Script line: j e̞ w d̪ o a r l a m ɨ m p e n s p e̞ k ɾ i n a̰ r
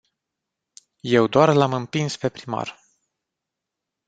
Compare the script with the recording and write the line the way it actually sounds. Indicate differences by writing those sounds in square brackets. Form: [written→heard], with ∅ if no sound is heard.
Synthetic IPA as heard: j e̞ w d̪ o a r l a m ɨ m p [e→i] n s p e̞ [k→p] ɾ i [n→m] a̰ r